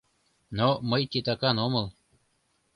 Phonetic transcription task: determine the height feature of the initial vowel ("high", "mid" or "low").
mid